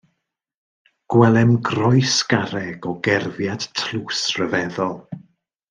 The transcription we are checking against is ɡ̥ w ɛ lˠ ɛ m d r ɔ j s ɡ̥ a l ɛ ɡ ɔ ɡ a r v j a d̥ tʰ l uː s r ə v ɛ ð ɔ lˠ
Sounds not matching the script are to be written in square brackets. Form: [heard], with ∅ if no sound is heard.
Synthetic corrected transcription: ɡ̥ w ɛ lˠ ɛ m [ɡ] r ɔ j s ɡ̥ a [ɾ] ɛ ɡ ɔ ɡ [ɛ] r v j a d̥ tʰ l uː s r ə v ɛ ð ɔ lˠ